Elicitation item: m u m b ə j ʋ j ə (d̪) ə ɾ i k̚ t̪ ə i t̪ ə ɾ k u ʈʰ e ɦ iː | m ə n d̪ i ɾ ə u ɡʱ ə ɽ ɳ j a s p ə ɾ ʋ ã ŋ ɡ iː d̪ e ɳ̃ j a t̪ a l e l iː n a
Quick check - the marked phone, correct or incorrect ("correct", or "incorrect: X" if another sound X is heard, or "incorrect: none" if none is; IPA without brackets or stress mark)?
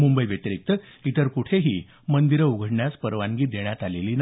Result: incorrect: t̪